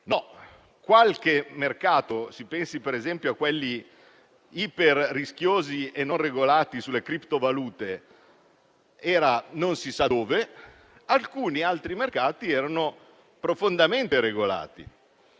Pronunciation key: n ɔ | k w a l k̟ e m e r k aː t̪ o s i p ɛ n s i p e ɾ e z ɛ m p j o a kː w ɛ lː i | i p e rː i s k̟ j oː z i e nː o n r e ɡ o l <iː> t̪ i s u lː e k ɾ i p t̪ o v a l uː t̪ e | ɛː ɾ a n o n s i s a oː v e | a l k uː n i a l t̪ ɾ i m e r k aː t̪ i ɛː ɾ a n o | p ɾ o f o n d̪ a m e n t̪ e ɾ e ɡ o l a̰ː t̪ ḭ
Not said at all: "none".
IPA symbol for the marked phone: aː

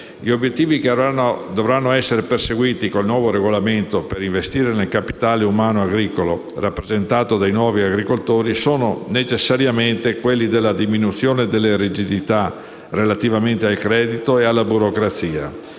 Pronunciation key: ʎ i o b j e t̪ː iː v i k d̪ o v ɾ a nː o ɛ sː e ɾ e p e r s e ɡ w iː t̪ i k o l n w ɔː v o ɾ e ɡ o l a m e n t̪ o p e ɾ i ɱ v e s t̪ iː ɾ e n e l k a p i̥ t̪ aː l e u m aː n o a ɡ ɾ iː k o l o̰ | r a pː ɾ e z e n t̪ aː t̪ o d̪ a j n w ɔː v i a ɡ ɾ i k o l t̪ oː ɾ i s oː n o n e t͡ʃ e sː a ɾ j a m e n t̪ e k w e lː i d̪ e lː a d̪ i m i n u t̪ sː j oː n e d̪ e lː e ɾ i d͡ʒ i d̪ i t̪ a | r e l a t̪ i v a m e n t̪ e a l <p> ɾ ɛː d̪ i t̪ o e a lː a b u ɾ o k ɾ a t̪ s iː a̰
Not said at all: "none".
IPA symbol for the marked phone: k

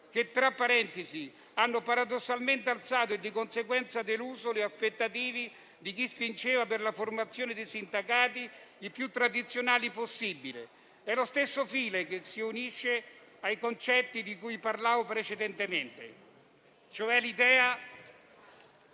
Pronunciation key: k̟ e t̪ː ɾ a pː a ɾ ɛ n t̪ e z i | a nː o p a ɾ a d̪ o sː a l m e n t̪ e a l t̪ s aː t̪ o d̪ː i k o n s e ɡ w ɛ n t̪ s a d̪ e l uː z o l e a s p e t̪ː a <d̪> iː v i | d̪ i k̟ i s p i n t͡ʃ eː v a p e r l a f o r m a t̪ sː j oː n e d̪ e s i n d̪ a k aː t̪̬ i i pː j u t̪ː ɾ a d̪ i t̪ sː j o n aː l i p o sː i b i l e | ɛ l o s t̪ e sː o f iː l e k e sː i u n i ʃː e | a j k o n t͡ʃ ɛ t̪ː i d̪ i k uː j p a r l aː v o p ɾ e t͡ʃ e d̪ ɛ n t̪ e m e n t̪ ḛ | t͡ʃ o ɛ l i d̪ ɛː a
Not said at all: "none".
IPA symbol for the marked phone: t̪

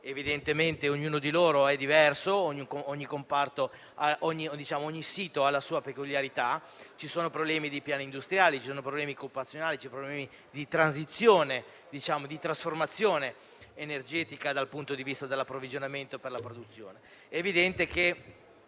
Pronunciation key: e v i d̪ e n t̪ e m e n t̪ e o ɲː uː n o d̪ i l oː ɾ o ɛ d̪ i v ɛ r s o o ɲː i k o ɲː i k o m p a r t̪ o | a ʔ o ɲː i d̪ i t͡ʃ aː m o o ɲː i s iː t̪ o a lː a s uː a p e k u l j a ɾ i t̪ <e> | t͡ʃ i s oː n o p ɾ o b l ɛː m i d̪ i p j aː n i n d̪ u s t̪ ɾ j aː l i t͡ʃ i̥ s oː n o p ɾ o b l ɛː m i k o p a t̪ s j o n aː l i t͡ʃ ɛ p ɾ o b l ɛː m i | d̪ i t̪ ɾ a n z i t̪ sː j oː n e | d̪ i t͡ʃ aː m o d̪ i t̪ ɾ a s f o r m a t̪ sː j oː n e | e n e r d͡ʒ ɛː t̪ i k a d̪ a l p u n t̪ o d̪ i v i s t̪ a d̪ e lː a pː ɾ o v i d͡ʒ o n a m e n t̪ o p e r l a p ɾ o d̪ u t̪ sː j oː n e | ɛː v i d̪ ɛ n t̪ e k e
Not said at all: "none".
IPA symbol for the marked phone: a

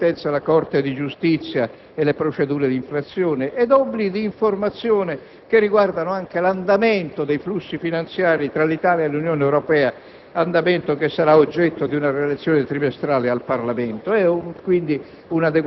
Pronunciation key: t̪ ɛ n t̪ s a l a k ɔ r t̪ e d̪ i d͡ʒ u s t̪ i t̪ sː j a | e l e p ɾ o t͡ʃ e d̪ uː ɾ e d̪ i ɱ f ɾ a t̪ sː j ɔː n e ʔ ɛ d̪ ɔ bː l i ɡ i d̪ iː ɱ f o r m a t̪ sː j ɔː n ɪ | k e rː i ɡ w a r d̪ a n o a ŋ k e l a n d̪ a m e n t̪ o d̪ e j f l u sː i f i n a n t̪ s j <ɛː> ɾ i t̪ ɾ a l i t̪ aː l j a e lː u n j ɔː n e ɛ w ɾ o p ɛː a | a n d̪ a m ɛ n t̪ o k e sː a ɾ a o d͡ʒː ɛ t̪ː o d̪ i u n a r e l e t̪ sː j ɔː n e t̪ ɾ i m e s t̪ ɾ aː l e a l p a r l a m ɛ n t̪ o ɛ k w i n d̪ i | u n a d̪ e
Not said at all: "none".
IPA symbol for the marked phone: aː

